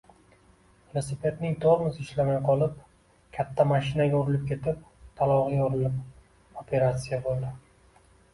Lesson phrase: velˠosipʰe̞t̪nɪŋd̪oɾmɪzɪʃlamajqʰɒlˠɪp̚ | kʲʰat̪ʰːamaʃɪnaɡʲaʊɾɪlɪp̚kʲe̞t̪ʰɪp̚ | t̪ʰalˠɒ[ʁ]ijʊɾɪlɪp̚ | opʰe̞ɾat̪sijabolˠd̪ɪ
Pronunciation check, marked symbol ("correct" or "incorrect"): correct